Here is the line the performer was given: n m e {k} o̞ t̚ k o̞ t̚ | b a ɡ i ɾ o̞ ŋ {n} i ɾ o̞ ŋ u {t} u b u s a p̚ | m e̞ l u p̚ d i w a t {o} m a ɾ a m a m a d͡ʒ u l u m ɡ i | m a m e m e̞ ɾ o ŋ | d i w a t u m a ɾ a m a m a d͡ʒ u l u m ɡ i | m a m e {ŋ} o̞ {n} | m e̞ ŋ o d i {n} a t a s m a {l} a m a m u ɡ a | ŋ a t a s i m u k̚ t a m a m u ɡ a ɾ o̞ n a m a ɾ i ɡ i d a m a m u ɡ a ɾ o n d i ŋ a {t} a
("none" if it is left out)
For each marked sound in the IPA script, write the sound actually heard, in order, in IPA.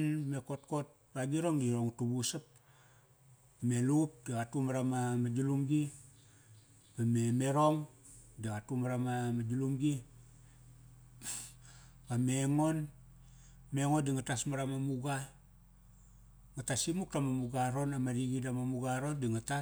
k, d, t, u, ŋ, n, ŋ, ɾ, t

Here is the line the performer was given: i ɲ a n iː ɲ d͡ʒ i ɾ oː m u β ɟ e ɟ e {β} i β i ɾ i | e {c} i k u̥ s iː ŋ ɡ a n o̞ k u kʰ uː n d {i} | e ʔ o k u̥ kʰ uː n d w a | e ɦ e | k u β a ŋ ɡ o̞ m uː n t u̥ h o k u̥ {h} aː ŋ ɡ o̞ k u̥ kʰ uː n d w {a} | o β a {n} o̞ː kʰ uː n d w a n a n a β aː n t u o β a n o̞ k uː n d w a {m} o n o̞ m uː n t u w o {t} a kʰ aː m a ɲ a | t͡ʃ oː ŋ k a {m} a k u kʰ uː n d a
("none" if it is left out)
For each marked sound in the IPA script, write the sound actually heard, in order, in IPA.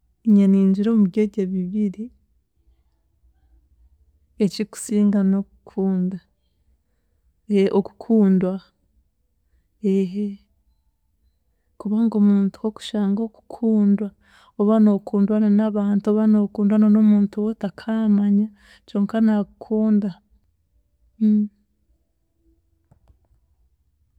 β, c, a, ʃ, a, n, n, t, n

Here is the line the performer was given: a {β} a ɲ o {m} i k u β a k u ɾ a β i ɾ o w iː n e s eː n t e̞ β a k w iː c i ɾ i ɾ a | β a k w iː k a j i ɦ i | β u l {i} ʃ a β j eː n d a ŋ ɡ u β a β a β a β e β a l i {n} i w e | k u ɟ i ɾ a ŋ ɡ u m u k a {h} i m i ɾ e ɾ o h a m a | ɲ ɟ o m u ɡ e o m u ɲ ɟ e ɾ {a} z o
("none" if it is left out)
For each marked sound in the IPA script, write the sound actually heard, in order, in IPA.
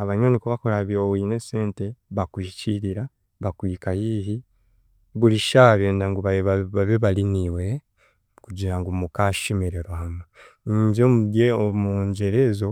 β, n, i, n, ʃ, e

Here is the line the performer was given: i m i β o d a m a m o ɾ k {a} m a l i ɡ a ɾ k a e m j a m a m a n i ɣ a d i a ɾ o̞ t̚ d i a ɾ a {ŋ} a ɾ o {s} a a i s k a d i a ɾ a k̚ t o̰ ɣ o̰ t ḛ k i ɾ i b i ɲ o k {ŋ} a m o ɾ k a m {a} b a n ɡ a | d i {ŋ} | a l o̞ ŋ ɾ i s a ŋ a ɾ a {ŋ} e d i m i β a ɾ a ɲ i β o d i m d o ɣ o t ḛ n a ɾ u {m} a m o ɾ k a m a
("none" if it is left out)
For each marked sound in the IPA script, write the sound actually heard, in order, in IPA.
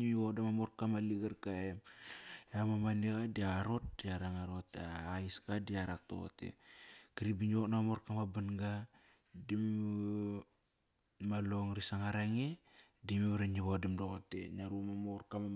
a, ŋ, t, n, a, m, ŋ, m

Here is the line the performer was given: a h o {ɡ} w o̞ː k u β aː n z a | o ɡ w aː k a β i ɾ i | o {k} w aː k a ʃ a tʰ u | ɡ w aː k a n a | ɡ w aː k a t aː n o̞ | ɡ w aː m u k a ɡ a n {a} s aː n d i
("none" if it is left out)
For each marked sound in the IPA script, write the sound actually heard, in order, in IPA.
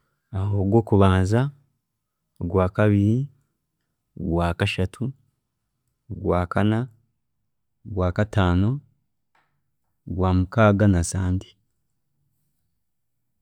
ɡ, ɡ, a

